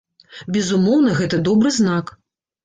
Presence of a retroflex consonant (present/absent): absent